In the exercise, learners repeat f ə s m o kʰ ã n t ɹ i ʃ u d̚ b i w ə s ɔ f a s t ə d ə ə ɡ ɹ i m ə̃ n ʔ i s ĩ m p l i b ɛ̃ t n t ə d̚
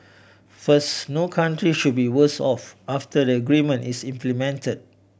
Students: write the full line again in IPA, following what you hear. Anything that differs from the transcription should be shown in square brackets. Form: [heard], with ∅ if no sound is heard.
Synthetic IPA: f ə s [n] o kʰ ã n t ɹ i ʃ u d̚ b i w ə s ɔ f a [f] t ə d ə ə ɡ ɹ i m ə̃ n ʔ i s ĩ m p l i [m] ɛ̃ [∅] n t ə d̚